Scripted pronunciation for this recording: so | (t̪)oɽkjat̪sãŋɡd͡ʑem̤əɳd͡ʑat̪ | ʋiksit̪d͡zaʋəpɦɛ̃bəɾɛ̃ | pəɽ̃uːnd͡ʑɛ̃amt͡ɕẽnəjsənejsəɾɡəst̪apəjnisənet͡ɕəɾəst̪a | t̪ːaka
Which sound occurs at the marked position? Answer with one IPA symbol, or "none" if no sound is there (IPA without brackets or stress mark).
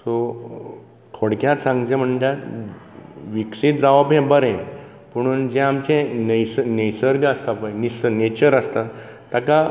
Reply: t̪ʰ